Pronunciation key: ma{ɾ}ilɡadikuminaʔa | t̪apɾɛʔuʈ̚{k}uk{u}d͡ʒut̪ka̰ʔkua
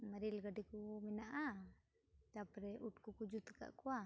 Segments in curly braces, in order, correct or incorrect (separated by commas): correct, correct, correct